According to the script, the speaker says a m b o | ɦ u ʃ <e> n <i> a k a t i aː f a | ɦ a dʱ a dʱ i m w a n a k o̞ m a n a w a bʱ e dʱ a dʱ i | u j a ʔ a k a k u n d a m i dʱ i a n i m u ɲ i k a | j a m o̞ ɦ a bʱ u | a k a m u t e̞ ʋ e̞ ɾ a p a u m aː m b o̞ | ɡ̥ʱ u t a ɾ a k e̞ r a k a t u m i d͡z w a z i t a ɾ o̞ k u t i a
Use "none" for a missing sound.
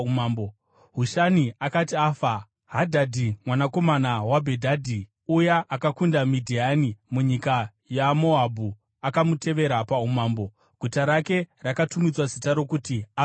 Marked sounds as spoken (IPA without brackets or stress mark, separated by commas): a, i